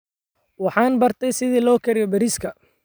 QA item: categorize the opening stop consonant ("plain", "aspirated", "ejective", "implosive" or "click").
plain